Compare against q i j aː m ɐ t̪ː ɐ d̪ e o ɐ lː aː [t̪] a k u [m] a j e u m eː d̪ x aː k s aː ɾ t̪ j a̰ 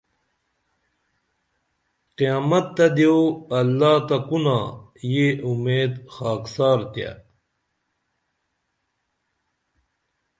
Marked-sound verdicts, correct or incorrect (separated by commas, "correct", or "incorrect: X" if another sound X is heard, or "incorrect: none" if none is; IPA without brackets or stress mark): correct, incorrect: n